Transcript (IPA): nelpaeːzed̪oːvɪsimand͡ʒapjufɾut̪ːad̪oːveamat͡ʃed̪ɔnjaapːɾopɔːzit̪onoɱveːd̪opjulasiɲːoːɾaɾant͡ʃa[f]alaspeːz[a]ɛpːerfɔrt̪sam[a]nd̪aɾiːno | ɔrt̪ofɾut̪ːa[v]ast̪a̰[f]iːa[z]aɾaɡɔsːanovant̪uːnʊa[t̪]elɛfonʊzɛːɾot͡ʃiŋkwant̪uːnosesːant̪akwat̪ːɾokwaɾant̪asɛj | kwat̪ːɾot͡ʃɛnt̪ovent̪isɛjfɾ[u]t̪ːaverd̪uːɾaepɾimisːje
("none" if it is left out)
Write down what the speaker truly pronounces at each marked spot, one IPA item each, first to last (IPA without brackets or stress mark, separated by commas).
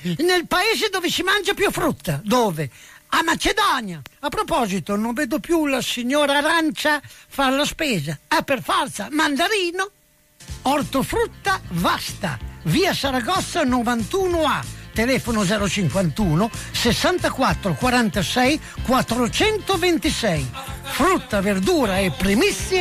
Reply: f, a, a, v, v, s, t̪, u